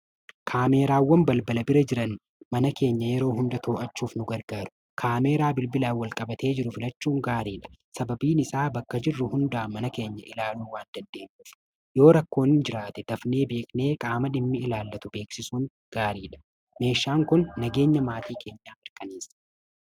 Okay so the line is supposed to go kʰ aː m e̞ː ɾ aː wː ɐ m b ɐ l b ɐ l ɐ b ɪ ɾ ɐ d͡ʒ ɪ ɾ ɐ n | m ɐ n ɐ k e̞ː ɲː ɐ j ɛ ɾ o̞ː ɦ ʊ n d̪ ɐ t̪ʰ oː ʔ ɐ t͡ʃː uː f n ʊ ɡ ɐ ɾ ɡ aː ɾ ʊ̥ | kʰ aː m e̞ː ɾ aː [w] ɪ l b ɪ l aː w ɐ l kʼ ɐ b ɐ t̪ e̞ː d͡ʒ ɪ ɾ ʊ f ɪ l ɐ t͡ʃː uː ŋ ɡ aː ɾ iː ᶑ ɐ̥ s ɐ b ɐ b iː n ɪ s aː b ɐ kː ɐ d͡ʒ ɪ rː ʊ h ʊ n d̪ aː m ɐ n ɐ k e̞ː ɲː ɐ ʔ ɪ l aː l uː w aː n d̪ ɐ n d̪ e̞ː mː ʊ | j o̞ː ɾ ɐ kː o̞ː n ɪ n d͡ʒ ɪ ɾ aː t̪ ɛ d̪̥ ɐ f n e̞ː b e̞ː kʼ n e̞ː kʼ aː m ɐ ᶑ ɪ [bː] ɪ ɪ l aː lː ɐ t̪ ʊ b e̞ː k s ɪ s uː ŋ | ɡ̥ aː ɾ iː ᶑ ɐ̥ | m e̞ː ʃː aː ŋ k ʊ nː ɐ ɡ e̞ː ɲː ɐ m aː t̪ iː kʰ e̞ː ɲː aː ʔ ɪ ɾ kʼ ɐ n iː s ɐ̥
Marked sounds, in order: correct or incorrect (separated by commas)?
incorrect, incorrect